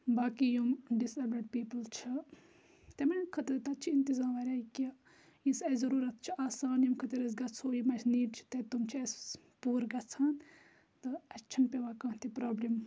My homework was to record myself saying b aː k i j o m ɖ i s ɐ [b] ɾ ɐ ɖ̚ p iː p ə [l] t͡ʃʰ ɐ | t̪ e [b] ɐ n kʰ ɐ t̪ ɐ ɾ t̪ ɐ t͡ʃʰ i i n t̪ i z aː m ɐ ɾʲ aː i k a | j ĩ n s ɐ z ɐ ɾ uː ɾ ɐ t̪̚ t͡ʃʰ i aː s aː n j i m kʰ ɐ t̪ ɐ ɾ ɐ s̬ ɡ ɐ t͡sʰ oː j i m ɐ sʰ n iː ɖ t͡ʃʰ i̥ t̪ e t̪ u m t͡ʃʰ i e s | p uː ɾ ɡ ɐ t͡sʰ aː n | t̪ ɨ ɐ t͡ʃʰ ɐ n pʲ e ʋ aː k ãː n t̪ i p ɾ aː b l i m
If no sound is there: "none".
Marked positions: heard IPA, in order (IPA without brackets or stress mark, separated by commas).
b, l, m